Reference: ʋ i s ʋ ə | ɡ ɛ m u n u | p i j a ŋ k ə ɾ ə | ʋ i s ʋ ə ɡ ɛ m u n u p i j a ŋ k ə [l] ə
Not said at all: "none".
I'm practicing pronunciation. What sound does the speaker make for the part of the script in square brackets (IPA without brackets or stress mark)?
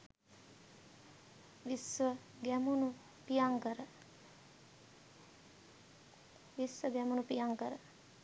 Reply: ɾ